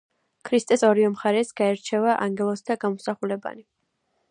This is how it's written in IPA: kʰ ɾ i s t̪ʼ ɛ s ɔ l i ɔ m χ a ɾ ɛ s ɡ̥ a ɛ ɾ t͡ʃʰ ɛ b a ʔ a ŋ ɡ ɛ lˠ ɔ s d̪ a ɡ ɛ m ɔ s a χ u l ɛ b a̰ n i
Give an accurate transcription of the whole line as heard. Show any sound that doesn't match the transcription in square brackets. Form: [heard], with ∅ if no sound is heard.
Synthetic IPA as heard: kʰ ɾ i s t̪ʼ ɛ s ɔ [ɾ] i ɔ m χ a ɾ ɛ s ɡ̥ a ɛ ɾ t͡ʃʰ ɛ [v] a ʔ a ŋ ɡ ɛ lˠ ɔ s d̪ a ɡ [a] m ɔ s a χ u l ɛ b a̰ n i